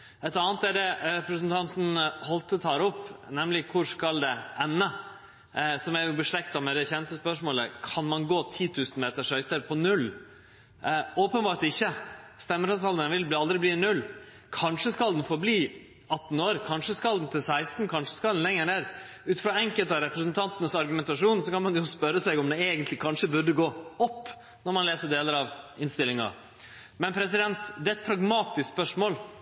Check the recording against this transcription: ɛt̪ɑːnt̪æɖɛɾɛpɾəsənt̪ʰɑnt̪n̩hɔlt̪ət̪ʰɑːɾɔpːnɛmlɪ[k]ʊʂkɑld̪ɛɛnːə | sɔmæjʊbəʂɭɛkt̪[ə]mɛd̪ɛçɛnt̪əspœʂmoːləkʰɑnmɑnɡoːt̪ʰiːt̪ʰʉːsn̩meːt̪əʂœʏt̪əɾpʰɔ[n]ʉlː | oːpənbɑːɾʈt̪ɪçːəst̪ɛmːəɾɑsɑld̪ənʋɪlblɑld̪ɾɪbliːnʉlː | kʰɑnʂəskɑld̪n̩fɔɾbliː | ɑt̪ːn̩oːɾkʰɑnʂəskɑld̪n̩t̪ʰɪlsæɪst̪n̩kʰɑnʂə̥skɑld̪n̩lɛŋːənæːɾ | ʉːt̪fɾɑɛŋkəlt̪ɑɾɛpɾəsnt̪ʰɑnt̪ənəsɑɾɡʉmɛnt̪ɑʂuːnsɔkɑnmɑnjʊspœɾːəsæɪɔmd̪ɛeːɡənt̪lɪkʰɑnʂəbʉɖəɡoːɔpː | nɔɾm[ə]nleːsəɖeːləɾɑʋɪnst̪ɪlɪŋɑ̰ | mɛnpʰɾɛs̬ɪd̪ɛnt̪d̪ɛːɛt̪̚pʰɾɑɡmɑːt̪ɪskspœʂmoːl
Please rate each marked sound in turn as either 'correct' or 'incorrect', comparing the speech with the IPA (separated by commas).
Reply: incorrect, incorrect, correct, incorrect